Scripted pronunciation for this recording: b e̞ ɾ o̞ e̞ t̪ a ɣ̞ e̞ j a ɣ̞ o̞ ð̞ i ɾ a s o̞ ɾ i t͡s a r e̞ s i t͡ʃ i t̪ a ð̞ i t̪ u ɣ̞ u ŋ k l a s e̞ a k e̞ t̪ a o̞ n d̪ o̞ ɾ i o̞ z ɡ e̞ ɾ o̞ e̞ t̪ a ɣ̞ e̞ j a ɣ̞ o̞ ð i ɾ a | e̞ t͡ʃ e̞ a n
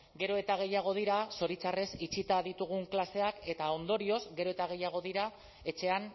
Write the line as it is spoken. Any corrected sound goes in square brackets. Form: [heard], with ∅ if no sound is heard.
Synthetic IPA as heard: [ɡ] e̞ ɾ o̞ e̞ t̪ a ɣ̞ e̞ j a ɣ̞ o̞ ð̞ i ɾ a s o̞ ɾ i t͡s a r e̞ s i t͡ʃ i t̪ a ð̞ i t̪ u ɣ̞ u ŋ k l a s e̞ a k e̞ t̪ a o̞ n d̪ o̞ ɾ i o̞ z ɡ e̞ ɾ o̞ e̞ t̪ a ɣ̞ e̞ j a ɣ̞ o̞ ð i ɾ a | e̞ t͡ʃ e̞ a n